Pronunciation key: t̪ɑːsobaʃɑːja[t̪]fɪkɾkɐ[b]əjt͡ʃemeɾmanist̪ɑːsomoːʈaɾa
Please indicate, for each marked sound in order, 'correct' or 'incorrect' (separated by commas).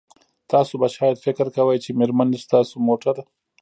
incorrect, incorrect